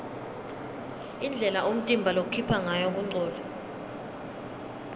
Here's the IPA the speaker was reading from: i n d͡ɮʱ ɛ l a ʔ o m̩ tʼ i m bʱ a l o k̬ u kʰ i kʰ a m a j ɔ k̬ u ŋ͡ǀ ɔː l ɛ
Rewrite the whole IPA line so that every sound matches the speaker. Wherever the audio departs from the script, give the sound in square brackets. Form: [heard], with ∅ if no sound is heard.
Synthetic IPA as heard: i n d͡ɮʱ ɛ l a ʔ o m̩ tʼ i m bʱ a l o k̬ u kʰ i [pʰ] a [ŋ] a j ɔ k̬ u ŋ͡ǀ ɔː l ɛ